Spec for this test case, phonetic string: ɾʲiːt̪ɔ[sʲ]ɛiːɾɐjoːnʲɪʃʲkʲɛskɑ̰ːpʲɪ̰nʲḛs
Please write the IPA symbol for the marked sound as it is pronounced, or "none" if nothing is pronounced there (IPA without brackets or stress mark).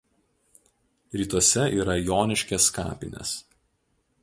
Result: sʲ